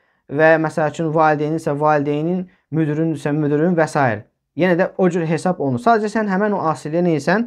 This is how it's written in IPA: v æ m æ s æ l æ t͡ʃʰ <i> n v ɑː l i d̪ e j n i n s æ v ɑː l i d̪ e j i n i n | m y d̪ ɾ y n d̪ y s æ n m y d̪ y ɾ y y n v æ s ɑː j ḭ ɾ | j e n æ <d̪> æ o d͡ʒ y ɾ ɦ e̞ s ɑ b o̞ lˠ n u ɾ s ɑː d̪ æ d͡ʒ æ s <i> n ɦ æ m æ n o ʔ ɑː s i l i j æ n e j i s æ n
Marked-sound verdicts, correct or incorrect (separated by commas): incorrect, correct, incorrect